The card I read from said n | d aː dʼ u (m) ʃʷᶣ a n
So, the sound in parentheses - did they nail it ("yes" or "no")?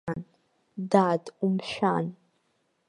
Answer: yes